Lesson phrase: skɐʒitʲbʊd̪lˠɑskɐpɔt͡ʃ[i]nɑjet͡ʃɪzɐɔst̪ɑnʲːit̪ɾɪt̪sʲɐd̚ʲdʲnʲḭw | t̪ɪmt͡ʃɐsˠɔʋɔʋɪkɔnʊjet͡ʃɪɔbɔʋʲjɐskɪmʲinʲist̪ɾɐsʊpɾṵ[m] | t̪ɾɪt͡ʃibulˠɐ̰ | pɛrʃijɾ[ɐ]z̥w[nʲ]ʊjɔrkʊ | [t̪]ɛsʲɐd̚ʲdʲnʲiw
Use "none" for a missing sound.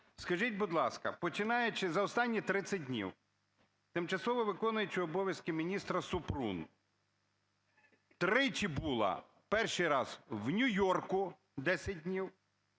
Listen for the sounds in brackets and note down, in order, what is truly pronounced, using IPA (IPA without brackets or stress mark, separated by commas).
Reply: ɪ, n, ɑ, nʲ, d̪